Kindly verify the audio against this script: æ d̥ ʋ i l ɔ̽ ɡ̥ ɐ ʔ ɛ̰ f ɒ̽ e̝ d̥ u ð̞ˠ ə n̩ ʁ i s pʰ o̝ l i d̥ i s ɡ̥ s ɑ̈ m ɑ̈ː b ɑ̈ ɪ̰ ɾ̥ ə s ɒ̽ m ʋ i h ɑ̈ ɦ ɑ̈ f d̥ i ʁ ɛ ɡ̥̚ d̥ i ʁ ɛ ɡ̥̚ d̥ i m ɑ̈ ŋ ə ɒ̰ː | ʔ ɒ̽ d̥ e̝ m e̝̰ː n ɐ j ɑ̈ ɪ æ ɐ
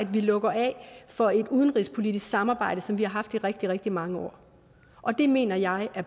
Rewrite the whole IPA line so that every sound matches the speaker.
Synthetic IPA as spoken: æ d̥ ʋ i l ɔ̽ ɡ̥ ɐ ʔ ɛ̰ f ɒ̽ e̝ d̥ u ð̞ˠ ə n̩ ʁ i s pʰ o̝ l i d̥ i s ɡ̥ s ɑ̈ m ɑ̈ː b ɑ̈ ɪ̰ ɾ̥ ə s ɒ̽ m ʋ i h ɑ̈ ɦ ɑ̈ f d̥ i ʁ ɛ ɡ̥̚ d̥ i ʁ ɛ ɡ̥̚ d̥ i m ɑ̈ ŋ ə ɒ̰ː | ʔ ɒ̽ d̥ e̝ m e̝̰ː n ɐ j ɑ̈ ɪ æ ɐ